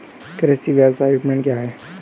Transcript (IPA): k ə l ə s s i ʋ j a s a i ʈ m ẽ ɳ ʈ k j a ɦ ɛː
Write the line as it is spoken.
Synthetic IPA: k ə ɾ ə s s i ʋ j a s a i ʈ m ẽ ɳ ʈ k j a ɦ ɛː

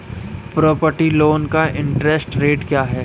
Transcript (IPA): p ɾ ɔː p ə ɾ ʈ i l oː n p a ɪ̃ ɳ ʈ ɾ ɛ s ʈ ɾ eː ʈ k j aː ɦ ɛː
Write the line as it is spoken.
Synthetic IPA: p ɾ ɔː p ə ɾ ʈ i l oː n k a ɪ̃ ɳ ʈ ɾ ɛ s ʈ ɾ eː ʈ k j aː ɦ ɛː

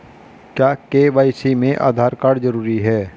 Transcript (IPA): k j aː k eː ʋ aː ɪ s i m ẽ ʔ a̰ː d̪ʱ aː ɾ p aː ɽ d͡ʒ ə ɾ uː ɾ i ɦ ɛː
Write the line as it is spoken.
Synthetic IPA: k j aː k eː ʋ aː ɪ s i m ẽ ʔ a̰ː d̪ʱ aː ɾ k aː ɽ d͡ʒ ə ɾ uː ɾ i ɦ ɛː

